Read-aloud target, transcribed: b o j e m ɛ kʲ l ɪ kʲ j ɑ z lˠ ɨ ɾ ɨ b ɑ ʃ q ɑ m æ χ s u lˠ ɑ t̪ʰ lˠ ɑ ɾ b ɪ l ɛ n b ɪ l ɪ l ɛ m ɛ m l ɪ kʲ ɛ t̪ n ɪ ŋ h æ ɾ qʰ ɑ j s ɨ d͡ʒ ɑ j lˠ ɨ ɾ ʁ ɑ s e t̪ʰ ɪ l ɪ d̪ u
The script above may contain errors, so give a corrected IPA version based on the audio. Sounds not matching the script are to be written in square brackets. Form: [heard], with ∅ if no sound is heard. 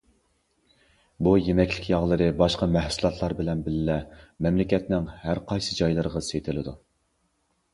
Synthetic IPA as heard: b [u] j e m ɛ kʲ l ɪ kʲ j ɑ [ʁ] lˠ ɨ ɾ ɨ b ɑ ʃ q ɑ m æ [h] s u lˠ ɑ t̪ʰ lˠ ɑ ɾ b ɪ l ɛ n b ɪ l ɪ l ɛ m ɛ m l ɪ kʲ ɛ t̪ n ɪ ŋ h æ ɾ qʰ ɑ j s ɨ d͡ʒ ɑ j lˠ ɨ ɾ ʁ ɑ s e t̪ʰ ɪ l ɪ d̪ u

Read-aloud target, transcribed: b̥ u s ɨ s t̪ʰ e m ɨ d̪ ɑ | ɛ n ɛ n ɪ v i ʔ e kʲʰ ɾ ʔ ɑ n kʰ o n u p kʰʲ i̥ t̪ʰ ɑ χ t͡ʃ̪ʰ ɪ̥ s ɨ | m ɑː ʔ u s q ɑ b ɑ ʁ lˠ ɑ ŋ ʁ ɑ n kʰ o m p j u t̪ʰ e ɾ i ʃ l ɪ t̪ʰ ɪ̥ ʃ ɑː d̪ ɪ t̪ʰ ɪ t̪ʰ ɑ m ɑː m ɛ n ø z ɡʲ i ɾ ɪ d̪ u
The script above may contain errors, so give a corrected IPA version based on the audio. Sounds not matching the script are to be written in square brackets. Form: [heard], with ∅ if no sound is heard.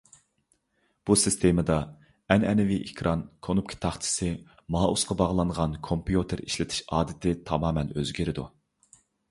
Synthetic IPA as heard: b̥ u s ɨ s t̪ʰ e m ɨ d̪ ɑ | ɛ n ɛ n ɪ v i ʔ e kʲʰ ɾ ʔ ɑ n kʰ o n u p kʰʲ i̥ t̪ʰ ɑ χ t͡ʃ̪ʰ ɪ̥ s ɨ | m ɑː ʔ u s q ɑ b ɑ ʁ lˠ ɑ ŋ ʁ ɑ n kʰ o m p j u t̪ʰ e ɾ i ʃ l ɪ t̪ʰ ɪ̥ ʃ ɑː d̪ ɪ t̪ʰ ɪ t̪ʰ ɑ m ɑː m ɛ n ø z ɡʲ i ɾ ɪ d̪ u

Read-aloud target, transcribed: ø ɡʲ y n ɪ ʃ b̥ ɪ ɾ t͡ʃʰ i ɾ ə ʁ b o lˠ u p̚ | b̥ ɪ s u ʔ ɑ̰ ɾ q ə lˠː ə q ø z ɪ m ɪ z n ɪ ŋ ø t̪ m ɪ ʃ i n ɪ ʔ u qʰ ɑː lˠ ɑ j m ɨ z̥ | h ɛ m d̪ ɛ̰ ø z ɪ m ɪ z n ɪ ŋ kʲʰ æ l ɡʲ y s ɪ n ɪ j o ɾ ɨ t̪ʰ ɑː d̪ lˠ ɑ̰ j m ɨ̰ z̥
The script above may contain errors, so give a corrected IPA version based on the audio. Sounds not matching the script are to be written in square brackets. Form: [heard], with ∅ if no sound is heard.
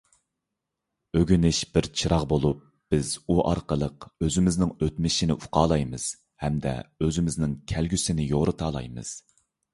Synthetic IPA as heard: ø ɡʲ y n ɪ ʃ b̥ ɪ ɾ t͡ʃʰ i ɾ [ɑ] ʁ b o lˠ u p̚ | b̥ ɪ [z] u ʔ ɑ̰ ɾ q ə [lˠ] ə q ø z ɪ m ɪ z n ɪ ŋ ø t̪ m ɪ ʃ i n ɪ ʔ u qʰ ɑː lˠ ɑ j m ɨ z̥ | h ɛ m d̪ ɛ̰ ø z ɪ m ɪ z n ɪ ŋ kʲʰ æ l ɡʲ y s ɪ n ɪ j o ɾ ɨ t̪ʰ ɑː [∅] lˠ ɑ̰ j m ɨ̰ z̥

